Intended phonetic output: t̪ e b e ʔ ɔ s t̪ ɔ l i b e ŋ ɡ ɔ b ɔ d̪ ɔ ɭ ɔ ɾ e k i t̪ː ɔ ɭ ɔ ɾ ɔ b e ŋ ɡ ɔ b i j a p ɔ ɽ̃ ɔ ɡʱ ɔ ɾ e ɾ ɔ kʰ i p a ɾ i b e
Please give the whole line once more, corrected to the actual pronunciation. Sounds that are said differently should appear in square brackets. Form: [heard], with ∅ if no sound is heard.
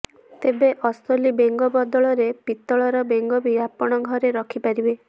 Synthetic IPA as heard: t̪ e b e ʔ ɔ s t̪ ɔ l i b e ŋ ɡ ɔ b ɔ d̪ ɔ ɭ ɔ ɾ e [p] i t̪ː ɔ ɭ ɔ ɾ ɔ b e ŋ ɡ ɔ b i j a p ɔ ɽ̃ ɔ ɡʱ ɔ ɾ e ɾ ɔ kʰ i p a ɾ i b e

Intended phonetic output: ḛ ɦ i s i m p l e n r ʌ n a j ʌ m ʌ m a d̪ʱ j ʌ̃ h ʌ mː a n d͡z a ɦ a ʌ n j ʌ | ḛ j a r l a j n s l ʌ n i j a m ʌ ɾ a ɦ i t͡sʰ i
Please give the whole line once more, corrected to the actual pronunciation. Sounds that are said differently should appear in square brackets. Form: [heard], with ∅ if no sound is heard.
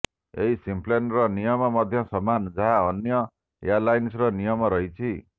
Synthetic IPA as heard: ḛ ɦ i s i m p l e n r ʌ n [i] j ʌ m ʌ m [ʌ] d̪ʱ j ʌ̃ [s] ʌ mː a n d͡z a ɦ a ʌ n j ʌ | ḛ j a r l a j n s [r] ʌ n i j [ʌ] m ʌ ɾ [ʌ] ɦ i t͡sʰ i

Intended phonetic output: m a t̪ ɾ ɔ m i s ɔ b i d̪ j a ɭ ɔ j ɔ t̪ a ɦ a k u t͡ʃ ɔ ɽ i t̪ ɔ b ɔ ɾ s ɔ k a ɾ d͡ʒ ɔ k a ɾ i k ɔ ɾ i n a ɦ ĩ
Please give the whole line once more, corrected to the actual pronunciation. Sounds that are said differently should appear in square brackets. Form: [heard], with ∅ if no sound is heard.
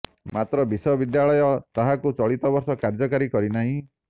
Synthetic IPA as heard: m a t̪ ɾ ɔ [b] i s ɔ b i d̪ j a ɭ ɔ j ɔ t̪ a ɦ a k u t͡ʃ ɔ [ɭ] i t̪ ɔ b ɔ ɾ s ɔ k a ɾ d͡ʒ ɔ k a ɾ i k ɔ ɾ i n a ɦ ĩ

